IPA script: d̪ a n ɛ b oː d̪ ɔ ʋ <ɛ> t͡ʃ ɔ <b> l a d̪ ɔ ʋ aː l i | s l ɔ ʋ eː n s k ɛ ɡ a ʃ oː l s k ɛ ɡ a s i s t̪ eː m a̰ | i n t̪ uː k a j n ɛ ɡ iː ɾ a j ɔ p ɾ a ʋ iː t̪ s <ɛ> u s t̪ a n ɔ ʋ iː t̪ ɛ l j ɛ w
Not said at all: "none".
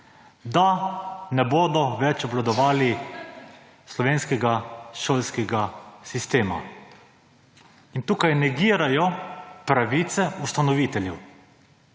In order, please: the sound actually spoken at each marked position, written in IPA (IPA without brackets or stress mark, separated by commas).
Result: ɛ, b, ɛ